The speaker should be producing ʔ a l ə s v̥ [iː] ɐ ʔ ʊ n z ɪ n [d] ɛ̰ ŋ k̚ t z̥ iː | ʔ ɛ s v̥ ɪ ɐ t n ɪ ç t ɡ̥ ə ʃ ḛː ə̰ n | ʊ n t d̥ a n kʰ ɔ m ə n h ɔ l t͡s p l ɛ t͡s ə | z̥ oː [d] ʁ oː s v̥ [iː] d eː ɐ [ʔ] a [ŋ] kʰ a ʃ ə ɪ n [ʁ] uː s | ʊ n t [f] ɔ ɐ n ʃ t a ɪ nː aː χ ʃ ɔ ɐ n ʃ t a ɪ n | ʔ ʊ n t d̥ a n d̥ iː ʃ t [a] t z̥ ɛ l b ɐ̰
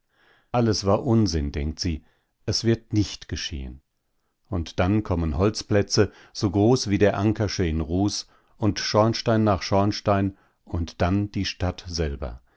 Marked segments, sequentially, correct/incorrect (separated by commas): incorrect, correct, incorrect, correct, correct, correct, correct, incorrect, correct